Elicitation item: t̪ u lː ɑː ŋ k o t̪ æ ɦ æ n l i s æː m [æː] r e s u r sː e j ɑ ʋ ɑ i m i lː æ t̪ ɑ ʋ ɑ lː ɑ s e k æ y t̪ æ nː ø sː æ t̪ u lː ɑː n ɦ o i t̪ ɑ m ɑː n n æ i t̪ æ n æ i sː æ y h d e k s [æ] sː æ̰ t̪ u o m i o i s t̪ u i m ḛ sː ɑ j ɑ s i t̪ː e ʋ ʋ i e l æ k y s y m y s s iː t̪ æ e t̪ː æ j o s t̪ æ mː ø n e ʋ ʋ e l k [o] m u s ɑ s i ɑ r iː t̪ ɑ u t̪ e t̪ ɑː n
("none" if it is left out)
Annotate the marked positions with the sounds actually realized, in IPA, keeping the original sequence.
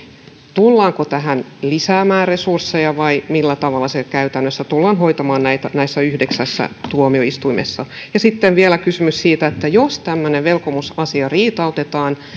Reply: æː, æ, o

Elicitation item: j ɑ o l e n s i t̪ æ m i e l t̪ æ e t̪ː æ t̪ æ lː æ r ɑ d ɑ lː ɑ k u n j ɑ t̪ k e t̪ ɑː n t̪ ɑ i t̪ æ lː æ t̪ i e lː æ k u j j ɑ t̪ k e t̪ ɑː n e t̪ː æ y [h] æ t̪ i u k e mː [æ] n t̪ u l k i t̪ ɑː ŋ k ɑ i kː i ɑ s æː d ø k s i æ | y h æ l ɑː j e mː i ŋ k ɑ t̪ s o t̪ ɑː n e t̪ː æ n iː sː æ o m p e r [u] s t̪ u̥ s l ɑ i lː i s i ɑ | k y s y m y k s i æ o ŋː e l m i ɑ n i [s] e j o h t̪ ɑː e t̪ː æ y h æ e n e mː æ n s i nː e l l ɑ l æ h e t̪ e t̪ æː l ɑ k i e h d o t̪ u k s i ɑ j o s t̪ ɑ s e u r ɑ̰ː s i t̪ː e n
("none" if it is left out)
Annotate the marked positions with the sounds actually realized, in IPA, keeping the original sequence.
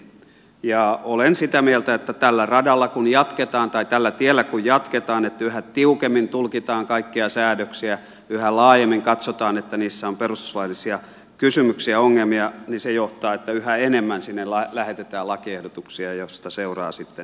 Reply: h, i, u, s

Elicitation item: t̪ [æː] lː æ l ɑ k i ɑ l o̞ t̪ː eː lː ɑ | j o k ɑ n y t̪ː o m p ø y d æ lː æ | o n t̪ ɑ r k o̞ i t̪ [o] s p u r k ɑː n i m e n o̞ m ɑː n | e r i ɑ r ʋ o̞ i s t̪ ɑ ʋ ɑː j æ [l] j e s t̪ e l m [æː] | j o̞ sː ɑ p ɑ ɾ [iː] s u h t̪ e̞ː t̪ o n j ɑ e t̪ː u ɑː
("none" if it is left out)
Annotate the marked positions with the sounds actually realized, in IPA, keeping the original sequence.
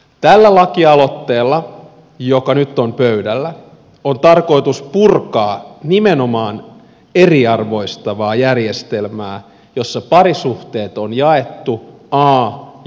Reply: æ, u, r, æː, i

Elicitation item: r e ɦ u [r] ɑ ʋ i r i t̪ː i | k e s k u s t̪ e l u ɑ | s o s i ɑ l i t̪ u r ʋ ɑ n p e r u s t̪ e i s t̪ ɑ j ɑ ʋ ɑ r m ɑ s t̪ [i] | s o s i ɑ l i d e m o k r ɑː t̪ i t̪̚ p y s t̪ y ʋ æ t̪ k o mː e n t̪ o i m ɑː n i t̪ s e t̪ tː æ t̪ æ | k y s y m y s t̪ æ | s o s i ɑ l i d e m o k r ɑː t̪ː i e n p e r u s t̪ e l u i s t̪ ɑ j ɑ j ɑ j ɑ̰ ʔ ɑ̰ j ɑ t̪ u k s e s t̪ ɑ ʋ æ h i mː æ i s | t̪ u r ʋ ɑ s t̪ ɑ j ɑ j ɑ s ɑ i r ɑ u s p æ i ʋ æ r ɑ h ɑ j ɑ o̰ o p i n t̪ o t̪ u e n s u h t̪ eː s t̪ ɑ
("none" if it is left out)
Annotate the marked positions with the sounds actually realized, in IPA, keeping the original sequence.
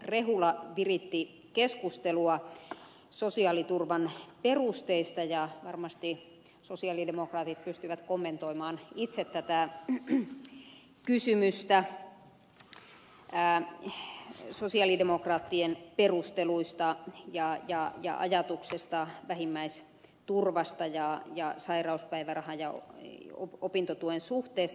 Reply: l, i

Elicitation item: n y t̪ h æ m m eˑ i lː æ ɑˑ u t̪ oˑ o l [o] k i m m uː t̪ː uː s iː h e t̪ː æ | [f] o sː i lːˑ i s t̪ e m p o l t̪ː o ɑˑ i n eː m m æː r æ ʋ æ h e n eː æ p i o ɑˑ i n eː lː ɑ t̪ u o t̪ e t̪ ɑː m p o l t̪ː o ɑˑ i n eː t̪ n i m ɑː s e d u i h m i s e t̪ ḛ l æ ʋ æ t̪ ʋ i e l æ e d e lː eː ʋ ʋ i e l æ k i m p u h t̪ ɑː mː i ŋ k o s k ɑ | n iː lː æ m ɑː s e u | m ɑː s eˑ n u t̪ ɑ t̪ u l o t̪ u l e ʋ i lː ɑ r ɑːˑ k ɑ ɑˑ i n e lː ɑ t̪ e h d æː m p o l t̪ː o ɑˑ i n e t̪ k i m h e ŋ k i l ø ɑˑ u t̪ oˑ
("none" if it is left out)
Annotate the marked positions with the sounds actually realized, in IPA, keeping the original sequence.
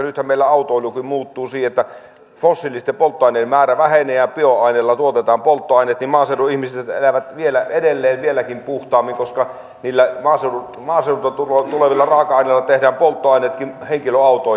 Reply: u, f

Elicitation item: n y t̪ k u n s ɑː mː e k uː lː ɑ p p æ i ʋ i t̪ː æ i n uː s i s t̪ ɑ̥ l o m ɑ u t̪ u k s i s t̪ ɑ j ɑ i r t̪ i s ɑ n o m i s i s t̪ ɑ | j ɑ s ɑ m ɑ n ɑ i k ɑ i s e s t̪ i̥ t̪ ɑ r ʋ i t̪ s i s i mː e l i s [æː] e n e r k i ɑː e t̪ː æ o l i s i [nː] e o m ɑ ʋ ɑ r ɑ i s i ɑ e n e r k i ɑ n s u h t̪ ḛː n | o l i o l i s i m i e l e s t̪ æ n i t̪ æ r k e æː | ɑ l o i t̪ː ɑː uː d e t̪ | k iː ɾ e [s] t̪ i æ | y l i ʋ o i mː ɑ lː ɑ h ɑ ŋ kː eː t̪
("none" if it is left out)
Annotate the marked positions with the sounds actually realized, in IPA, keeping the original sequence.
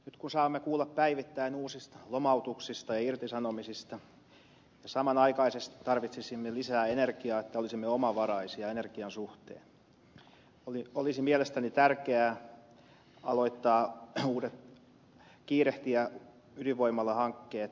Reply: æː, mː, h

